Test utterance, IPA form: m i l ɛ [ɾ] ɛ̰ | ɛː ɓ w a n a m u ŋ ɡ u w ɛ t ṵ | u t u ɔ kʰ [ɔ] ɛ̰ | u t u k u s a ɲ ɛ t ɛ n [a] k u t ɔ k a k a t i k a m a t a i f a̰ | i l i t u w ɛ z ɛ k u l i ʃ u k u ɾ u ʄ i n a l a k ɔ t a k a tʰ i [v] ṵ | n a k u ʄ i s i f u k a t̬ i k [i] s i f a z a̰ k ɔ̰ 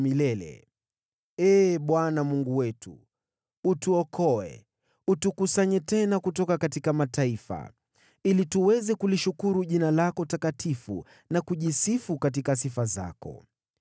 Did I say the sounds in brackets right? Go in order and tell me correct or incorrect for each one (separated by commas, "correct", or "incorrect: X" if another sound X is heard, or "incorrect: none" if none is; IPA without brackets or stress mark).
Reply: incorrect: l, correct, correct, incorrect: f, incorrect: a